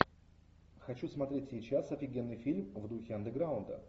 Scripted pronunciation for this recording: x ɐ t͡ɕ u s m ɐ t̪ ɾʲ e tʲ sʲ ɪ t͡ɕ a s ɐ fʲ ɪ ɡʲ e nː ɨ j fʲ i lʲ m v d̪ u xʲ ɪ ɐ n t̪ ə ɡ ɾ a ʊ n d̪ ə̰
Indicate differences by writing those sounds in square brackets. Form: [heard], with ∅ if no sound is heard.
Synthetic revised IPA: x ɐ t͡ɕ u s m ɐ t̪ ɾʲ e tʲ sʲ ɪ t͡ɕ a s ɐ fʲ ɪ ɡʲ e nː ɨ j fʲ i lʲ m v d̪ u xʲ ɪ ɐ n [d̪] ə ɡ ɾ a ʊ n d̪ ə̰